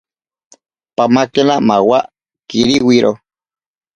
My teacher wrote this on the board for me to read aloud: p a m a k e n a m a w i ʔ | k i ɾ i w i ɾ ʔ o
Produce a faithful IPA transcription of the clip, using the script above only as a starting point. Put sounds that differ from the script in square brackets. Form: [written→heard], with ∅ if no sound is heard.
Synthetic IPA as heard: p a m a k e n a m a w [i→a] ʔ | k i ɾ i w i ɾ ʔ o